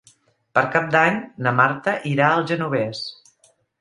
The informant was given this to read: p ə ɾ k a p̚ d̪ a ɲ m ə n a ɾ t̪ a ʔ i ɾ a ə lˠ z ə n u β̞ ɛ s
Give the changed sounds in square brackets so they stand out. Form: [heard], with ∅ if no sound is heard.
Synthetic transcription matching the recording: p ə ɾ k a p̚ d̪ a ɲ [n] ə [m] a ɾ t̪ [ə] ʔ i ɾ a ə lˠ [ʒ] ə n u β̞ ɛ s